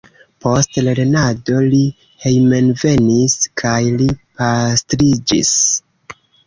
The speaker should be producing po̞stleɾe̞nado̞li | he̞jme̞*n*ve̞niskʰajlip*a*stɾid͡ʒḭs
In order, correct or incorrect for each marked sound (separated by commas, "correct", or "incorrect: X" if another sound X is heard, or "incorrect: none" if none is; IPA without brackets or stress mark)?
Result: correct, correct